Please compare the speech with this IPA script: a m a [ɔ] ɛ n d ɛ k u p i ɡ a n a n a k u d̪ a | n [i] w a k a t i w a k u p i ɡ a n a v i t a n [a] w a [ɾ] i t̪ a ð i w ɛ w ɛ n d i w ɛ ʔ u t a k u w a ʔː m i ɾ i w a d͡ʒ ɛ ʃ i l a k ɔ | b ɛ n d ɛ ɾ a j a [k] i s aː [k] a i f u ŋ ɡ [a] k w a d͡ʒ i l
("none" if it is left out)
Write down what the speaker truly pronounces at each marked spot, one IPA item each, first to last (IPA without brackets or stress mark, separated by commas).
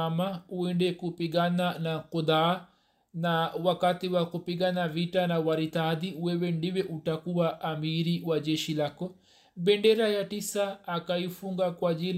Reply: u, a, a, ɾ, t, k, a